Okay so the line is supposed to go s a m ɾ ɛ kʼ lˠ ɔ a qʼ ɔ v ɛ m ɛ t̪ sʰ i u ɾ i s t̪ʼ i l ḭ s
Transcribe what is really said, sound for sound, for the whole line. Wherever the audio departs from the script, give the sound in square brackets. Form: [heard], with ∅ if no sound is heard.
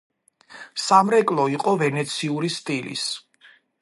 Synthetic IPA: s a m ɾ ɛ kʼ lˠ ɔ [i] qʼ ɔ v ɛ [n] ɛ t̪ sʰ i u ɾ i s t̪ʼ i l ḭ s